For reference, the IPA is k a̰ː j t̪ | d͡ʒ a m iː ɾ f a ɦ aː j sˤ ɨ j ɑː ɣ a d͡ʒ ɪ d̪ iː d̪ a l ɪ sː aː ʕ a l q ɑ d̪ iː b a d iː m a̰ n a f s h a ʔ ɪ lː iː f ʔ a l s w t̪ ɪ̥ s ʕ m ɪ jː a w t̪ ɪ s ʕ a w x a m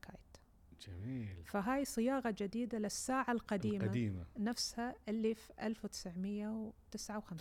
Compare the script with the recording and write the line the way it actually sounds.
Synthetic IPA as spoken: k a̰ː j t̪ | d͡ʒ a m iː l f a ɦ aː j sˤ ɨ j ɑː ɣ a d͡ʒ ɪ d̪ iː d̪ a l ɪ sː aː ʕ a l q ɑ d̪ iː m a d iː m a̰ n a f s h a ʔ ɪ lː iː f ʔ a l f w t̪ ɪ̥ s ʕ m ɪ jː a w t̪ ɪ s ʕ a w x a m